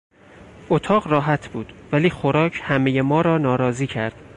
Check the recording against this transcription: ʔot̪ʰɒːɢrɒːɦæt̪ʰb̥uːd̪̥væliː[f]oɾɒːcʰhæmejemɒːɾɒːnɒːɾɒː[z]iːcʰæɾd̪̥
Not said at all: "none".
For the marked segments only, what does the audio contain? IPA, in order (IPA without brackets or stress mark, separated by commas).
x, z